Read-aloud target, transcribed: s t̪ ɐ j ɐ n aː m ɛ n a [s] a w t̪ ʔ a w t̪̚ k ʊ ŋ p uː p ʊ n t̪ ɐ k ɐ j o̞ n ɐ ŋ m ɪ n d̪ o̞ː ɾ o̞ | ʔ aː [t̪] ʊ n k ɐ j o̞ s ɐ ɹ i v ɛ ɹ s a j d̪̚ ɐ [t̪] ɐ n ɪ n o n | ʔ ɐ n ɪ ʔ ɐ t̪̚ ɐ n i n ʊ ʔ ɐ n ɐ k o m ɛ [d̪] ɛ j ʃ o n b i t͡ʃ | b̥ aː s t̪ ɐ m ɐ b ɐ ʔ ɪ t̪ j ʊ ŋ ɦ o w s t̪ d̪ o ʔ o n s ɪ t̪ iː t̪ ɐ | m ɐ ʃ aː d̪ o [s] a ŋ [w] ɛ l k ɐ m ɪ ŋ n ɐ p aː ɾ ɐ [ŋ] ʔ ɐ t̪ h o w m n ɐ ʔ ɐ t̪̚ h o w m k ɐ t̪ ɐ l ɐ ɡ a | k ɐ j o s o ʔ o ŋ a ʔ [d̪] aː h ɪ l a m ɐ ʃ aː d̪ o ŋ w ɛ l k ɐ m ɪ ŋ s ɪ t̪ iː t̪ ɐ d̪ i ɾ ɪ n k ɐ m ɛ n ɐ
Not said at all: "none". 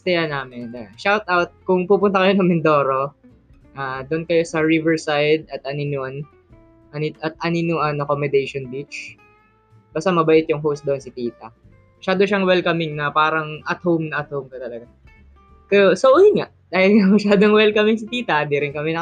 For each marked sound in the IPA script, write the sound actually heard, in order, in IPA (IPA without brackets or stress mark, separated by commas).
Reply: ʃ, d̪, t̪, d̪, ʃ, w, ŋ, d̪